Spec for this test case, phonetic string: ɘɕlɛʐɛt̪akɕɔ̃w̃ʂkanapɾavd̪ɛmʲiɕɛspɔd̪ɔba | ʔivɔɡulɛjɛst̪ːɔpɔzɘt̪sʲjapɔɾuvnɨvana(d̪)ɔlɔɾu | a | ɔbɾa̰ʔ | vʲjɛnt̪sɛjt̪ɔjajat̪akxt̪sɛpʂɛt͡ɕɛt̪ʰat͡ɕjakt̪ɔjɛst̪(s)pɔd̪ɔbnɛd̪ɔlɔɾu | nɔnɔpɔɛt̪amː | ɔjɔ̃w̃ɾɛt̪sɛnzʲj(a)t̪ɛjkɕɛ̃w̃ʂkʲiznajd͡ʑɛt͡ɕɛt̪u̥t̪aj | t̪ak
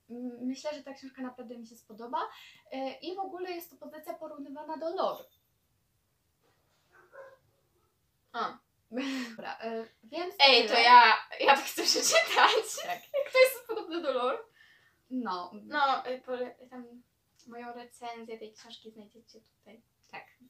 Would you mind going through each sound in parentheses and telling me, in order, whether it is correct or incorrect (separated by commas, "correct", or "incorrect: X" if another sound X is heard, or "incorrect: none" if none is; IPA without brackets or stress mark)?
correct, correct, incorrect: ɛ